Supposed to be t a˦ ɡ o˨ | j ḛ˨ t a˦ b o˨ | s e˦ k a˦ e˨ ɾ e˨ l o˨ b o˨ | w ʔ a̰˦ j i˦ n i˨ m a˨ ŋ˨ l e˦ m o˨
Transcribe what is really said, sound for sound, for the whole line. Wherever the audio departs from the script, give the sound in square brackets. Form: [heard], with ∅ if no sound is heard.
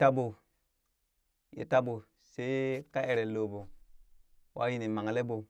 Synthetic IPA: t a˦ [b] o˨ | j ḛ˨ t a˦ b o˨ | s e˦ k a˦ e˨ ɾ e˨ l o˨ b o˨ | w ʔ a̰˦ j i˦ n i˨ m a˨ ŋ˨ l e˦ [b] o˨